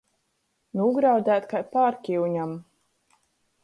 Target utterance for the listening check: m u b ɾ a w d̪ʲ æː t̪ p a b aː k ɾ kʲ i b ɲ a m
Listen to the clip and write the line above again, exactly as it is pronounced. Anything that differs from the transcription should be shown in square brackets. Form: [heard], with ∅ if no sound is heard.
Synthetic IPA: [n] u [ɡ] ɾ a w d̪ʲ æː t̪ [k] a [p] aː [∅] ɾ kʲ i [w] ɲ a m